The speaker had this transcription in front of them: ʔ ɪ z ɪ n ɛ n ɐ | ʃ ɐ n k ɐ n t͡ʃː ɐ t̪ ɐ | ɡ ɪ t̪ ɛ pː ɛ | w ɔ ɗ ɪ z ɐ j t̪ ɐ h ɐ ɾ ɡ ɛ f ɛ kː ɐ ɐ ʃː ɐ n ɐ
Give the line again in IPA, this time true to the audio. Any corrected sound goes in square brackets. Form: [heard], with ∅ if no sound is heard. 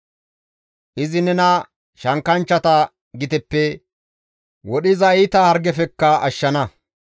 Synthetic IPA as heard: ʔ ɪ z ɪ n ɛ n ɐ | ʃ ɐ [ŋ] k ɐ n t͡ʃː ɐ t̪ ɐ | ɡ ɪ t̪ ɛ pː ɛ | w ɔ ɗ ɪ z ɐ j t̪ ɐ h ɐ ɾ ɡ ɛ f ɛ kː ɐ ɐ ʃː ɐ n ɐ